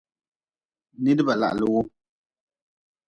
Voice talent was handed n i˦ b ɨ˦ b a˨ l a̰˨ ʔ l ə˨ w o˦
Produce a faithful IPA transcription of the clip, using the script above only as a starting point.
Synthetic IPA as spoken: n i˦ d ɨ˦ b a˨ l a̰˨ ʔ l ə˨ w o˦